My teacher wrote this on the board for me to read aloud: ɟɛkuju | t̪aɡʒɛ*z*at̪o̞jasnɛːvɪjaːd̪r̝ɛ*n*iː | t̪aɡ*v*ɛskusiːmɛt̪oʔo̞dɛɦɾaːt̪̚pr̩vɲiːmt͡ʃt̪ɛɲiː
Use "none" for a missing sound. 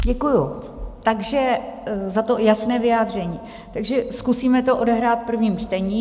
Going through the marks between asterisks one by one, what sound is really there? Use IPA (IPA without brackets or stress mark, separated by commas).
z, ɲ, ʒ